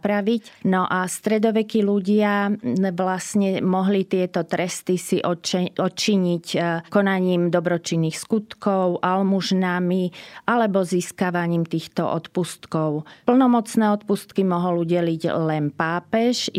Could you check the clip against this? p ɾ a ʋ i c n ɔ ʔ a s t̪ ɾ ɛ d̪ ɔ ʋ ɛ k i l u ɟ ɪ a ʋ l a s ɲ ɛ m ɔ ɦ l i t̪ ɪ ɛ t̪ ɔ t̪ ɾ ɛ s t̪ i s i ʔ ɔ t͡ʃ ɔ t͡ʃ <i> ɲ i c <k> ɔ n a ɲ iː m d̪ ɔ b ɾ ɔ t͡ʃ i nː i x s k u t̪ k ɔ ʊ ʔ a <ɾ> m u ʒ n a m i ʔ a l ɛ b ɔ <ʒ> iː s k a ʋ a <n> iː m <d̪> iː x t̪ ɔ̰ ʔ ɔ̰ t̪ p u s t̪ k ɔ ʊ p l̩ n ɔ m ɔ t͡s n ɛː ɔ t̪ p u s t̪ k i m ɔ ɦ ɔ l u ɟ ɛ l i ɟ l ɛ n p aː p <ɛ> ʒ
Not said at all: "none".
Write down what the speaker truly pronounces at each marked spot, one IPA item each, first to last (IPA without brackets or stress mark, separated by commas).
i, k, l, z, ɲ, t̪, ɛ